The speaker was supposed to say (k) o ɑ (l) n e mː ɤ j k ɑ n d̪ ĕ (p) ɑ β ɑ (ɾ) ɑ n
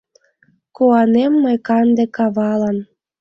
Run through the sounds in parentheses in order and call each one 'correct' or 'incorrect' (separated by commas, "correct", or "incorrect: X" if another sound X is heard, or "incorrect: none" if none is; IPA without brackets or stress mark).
correct, incorrect: none, incorrect: k, incorrect: l